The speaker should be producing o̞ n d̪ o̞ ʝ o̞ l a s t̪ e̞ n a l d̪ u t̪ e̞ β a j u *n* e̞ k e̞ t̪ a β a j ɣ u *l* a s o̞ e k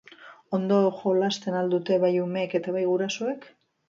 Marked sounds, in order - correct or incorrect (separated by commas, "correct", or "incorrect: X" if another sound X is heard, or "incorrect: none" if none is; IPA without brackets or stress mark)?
incorrect: m, incorrect: ɾ